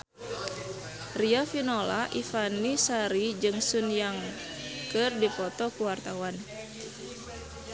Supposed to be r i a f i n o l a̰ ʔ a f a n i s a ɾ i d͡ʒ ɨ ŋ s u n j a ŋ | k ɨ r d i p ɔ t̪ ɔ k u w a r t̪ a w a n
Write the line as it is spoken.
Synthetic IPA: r i a f i n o l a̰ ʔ i f a n i s a ɾ i d͡ʒ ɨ ŋ s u n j a ŋ | k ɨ r d i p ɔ t̪ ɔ k u w a r t̪ a w a n